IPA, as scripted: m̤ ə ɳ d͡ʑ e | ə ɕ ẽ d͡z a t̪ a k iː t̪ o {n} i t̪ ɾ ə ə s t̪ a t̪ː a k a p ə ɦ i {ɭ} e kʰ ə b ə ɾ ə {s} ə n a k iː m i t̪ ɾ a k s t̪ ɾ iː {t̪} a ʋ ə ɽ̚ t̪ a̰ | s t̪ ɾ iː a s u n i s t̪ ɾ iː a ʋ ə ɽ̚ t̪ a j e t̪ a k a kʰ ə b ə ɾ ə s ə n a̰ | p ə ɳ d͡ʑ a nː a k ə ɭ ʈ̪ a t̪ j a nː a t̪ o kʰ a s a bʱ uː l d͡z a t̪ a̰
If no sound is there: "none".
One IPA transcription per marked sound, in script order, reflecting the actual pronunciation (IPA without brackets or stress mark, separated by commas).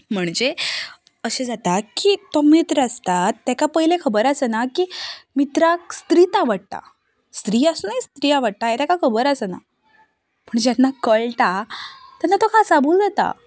m, l, s, t̪